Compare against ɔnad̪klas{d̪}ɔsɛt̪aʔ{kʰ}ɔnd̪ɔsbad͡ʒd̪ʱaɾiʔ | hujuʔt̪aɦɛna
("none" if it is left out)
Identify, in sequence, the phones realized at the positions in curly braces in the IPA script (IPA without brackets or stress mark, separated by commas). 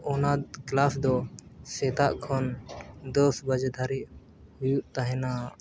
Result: d̪, kʰ